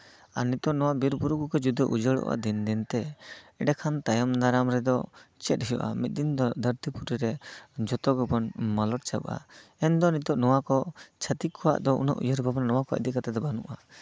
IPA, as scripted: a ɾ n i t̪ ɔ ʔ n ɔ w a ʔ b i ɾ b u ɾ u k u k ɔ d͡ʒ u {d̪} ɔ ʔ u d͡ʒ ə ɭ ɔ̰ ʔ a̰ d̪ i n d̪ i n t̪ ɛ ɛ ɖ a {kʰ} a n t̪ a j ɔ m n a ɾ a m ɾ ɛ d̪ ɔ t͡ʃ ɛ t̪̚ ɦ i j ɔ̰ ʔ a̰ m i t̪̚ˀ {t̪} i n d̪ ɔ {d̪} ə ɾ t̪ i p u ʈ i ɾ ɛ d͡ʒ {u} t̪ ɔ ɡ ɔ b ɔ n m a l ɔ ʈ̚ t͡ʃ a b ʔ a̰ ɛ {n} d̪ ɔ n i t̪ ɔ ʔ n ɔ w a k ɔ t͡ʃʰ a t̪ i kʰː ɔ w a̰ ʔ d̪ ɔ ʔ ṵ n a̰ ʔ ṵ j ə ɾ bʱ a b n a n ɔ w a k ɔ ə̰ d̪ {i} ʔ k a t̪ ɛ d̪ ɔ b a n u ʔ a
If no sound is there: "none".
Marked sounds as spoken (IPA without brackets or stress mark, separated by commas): d̪, kʰ, d̪, d̪, ɔ, n, i